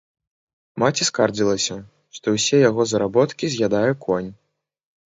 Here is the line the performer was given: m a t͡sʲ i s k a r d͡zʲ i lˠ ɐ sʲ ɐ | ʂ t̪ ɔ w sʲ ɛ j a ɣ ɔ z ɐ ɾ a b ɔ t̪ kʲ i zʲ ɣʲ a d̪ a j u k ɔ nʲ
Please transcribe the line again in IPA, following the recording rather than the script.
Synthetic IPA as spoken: m a t͡sʲ i s k a r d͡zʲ i lˠ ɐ sʲ ɐ | ʂ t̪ ɔ w sʲ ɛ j a ɣ ɔ z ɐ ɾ a b ɔ t̪ kʲ i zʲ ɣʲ a d̪ a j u k ɔ nʲ